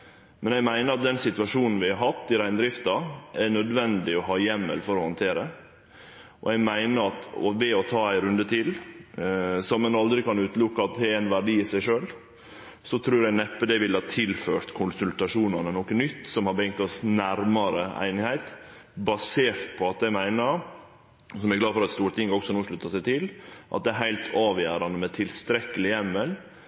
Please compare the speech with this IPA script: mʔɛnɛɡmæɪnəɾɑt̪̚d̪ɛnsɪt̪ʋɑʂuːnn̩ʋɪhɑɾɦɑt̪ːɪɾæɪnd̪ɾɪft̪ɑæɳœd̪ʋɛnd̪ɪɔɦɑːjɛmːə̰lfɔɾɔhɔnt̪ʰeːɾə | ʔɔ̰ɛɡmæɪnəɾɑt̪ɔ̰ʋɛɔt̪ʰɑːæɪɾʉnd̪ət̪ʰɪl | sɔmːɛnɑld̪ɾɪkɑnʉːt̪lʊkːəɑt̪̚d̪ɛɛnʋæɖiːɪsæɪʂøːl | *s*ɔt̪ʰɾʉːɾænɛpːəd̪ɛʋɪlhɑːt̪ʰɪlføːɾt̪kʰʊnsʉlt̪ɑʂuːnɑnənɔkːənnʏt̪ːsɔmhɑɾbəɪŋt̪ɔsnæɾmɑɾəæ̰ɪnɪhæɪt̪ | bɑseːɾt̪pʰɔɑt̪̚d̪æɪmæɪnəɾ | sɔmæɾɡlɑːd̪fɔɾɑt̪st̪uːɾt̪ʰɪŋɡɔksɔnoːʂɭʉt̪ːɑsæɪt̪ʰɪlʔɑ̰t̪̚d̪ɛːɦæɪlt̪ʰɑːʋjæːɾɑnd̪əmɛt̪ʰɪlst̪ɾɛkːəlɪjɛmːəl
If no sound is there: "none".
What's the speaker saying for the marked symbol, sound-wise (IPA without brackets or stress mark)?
s